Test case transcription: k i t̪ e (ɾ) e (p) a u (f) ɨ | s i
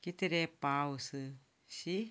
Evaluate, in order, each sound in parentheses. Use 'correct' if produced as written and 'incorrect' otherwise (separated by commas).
correct, correct, incorrect